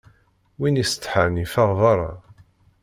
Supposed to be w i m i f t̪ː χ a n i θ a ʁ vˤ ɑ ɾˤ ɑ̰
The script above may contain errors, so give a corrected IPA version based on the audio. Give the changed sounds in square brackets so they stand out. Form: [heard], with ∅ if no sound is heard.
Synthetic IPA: w i [n] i [s] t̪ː [ħ] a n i [f] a ʁ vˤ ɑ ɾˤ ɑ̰